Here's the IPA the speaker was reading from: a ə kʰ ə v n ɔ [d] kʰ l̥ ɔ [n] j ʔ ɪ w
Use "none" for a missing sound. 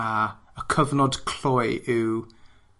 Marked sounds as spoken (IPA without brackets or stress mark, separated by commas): d, none